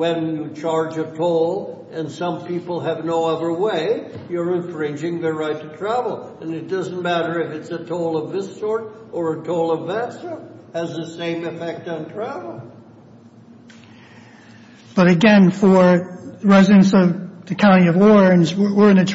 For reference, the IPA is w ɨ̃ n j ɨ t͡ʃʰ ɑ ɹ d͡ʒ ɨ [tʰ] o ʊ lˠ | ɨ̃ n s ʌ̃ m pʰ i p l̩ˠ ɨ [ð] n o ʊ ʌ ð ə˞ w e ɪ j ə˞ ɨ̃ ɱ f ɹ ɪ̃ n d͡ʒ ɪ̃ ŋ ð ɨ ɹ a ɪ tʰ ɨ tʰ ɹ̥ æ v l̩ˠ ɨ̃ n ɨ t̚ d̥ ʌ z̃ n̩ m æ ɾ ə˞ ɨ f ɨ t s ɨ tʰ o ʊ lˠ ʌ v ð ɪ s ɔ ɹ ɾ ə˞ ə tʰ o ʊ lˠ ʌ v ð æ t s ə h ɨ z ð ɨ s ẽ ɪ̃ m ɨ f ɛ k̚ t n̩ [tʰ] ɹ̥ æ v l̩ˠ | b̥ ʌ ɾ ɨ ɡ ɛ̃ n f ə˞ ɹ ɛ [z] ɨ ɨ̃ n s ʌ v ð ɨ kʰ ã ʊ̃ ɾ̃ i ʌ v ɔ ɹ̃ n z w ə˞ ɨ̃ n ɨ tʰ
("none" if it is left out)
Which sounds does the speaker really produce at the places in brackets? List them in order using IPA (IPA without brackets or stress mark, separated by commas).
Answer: tʰ, v, tʰ, z